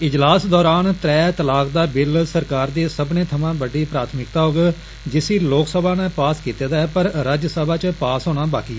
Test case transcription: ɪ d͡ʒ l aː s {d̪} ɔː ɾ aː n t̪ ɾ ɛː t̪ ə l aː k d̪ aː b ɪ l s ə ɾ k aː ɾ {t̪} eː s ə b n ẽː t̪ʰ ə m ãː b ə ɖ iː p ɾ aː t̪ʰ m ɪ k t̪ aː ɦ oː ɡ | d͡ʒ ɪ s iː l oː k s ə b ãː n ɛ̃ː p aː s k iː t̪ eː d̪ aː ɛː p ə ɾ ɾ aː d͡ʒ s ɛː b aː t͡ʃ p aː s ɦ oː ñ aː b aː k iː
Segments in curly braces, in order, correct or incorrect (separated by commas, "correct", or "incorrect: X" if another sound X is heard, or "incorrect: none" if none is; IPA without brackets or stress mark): correct, incorrect: d̪